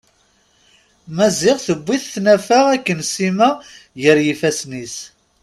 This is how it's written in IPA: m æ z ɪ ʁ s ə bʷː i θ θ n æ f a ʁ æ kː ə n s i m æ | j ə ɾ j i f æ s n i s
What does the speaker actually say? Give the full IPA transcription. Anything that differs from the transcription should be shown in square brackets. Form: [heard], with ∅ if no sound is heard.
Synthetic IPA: m æ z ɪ ʁ [θ] ə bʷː i θ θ n æ f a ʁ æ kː ə n s i m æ | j ə ɾ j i f æ s n i s